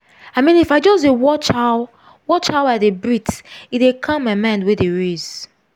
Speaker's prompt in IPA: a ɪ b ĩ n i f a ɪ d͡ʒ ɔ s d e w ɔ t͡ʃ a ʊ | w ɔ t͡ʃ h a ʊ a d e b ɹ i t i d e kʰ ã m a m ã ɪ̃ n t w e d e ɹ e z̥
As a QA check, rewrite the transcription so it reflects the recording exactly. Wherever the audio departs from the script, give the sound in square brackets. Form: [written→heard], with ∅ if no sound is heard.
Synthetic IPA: a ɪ [b→m] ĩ n i f a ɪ d͡ʒ ɔ s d e w ɔ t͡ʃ a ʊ | w ɔ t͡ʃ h a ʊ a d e b ɹ i t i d e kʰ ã m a m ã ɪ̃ n [t→d] w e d e ɹ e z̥